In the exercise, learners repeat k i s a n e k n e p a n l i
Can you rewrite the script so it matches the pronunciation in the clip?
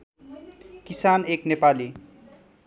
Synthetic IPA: k i s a n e k n e p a l i